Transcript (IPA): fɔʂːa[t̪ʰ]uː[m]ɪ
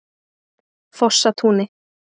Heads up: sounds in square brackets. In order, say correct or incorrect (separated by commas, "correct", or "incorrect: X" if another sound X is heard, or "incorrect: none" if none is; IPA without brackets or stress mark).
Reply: correct, incorrect: n